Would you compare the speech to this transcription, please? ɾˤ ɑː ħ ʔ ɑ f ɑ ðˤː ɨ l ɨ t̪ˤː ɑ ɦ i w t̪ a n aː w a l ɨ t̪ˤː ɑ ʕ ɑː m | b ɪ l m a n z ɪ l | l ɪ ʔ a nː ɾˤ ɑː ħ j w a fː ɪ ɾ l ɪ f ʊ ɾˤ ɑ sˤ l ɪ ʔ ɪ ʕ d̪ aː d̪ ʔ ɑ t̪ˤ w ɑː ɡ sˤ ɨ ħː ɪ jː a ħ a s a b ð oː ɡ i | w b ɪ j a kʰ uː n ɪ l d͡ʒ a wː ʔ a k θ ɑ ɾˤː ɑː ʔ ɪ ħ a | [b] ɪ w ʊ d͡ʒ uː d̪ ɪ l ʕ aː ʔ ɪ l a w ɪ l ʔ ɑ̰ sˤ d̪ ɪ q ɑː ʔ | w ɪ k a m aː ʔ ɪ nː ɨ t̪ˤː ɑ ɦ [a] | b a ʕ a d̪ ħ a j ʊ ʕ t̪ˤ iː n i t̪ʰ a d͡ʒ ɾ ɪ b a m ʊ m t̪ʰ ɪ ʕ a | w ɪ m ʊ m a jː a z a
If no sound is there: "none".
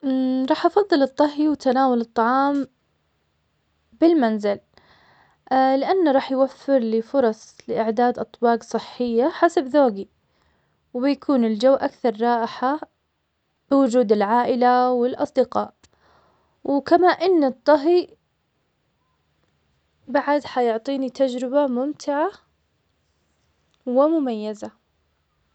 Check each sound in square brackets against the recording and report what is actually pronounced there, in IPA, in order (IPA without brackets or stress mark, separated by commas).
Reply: b, i